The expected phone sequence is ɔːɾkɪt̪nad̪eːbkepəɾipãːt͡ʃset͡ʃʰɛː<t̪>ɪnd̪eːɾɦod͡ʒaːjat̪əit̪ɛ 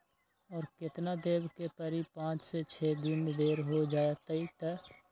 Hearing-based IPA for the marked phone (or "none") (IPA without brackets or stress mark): d̪